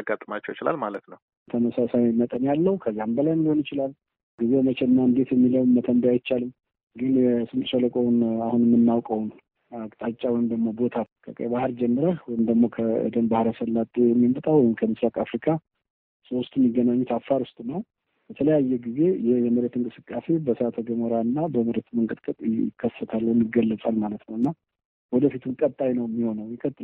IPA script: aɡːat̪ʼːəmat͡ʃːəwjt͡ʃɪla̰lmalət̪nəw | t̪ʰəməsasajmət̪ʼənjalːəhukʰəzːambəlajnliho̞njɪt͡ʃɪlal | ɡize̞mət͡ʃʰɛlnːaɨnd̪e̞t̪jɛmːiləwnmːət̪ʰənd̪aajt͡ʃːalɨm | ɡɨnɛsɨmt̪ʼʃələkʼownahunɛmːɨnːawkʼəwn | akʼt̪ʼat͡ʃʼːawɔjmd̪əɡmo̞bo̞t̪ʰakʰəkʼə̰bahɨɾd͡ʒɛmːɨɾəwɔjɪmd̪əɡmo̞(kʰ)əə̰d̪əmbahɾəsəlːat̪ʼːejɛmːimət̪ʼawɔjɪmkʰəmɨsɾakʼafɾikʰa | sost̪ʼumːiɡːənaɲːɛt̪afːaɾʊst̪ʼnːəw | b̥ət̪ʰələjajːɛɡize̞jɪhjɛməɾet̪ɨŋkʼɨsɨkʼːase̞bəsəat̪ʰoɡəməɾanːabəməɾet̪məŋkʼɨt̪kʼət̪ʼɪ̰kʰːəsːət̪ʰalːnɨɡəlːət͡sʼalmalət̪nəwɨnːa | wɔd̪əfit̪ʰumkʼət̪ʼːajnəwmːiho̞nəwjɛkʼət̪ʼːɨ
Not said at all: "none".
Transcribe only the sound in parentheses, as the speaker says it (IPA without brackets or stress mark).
kʰ